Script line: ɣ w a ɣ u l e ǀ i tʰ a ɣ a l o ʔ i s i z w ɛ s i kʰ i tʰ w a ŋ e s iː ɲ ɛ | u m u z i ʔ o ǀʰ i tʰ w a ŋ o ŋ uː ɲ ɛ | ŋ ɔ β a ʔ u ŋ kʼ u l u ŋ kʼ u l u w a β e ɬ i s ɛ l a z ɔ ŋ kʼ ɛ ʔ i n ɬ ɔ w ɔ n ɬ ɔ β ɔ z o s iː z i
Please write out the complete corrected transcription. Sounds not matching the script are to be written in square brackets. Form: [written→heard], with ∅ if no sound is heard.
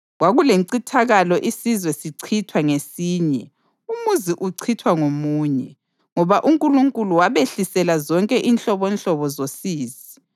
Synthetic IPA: ɣ w a ɣ u l e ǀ i tʰ a ɣ a l [o→ɔ] ʔ i s i z w ɛ s i [kʰ→ǀʰ] i tʰ w a ŋ e s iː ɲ ɛ | u m u z i ʔ [o→u] ǀʰ i tʰ w a ŋ o [ŋ→m] uː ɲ ɛ | ŋ ɔ β a ʔ u ŋ kʼ u l u ŋ kʼ u l u w a β e ɬ i s ɛ l a z ɔ ŋ kʼ ɛ ʔ i n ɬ ɔ [w→β] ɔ n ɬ ɔ β ɔ z o s iː z i